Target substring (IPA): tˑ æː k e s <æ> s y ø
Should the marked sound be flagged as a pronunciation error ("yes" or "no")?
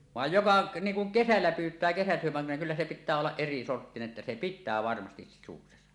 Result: no